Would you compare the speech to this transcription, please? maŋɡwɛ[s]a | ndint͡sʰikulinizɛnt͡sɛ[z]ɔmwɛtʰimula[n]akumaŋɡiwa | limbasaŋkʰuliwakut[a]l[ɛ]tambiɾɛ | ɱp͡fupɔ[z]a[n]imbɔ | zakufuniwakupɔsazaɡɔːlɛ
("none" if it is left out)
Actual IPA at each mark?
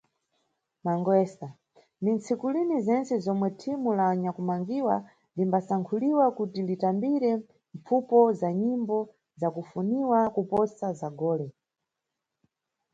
s, z, ɲ, i, i, z, ɲ

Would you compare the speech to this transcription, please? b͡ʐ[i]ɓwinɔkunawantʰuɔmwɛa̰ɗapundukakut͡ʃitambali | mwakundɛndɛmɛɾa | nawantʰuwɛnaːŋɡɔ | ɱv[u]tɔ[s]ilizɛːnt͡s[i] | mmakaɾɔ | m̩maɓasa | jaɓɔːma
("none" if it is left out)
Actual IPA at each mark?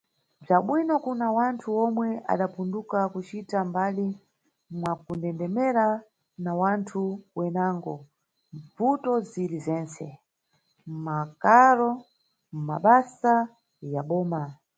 a, u, z, ɛ

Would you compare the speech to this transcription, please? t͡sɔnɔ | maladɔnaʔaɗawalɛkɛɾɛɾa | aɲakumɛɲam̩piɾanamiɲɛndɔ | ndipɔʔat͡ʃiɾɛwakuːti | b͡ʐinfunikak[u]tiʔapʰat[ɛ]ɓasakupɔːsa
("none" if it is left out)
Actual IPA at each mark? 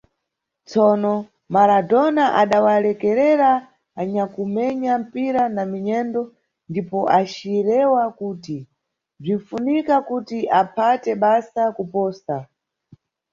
u, ɛ

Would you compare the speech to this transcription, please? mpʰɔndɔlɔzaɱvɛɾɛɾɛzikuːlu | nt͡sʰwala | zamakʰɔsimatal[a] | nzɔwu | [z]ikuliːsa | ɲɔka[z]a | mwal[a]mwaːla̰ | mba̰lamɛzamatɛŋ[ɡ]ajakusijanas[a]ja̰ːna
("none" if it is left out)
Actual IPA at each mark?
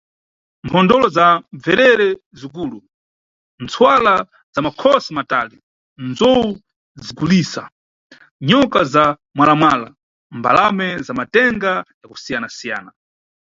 i, z, z, a, ɡ, i

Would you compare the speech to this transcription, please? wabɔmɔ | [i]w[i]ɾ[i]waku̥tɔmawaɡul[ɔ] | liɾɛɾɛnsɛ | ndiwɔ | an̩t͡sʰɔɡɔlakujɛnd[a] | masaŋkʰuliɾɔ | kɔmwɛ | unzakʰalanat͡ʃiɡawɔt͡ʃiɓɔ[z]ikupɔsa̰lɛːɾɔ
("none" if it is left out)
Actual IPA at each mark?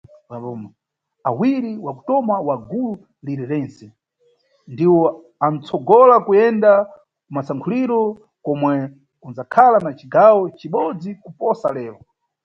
a, i, i, u, a, d͡z

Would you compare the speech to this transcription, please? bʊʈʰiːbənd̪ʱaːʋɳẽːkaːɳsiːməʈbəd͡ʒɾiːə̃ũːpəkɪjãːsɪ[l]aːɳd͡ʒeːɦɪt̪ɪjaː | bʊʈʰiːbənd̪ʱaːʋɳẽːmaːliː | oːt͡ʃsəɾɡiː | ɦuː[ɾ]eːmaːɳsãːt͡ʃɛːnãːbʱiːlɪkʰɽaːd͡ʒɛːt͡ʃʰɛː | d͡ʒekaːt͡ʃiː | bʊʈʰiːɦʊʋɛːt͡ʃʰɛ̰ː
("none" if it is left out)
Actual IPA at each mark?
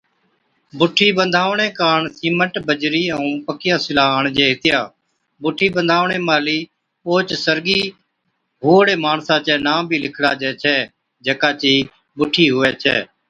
l, ɽ

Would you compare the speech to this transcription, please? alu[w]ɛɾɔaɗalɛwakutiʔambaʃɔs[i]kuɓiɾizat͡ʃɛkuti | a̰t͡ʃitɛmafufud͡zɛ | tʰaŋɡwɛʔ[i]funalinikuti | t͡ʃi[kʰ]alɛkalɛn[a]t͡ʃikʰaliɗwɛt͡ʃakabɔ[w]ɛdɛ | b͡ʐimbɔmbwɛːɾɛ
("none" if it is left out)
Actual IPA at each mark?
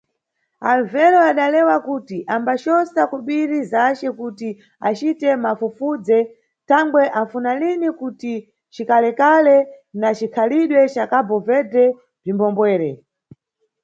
v, a, a, k, a, v

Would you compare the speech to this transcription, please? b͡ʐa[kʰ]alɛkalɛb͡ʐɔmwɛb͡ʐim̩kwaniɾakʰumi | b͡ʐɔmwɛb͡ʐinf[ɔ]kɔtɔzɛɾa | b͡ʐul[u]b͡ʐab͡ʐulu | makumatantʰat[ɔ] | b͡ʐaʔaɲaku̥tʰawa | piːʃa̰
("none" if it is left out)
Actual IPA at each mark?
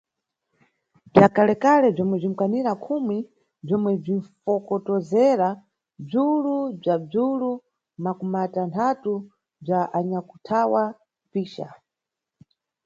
k, ɔ, u, u

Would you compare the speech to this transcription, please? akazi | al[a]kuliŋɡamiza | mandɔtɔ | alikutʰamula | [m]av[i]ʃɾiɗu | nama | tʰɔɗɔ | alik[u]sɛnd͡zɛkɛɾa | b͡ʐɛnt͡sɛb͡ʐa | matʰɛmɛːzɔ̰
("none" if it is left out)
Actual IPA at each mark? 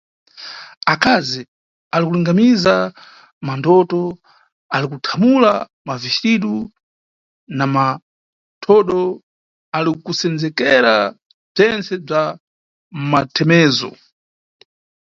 i, m, i, u

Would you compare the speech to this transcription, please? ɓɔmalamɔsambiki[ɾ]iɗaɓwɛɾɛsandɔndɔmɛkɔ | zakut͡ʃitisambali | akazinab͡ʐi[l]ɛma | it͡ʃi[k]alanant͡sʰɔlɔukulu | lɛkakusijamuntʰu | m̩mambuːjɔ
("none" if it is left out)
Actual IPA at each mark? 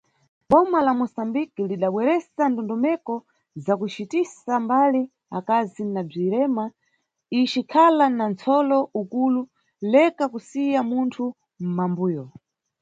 l, ɾ, kʰ

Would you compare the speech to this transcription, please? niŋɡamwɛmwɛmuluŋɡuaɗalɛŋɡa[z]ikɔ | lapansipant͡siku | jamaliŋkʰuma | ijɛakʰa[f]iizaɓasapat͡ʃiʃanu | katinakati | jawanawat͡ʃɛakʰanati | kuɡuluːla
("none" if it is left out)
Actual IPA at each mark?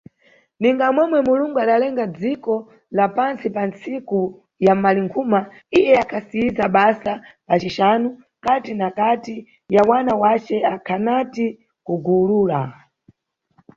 d͡z, s

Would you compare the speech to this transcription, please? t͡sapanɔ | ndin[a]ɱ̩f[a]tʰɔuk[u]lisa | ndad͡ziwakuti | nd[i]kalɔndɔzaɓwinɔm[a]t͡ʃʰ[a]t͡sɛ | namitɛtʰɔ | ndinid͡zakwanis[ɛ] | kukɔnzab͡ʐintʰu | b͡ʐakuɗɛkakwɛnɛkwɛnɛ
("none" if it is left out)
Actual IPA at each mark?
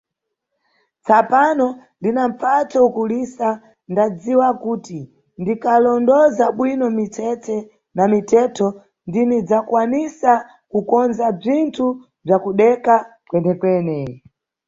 a, a, u, i, i, ɛ, a

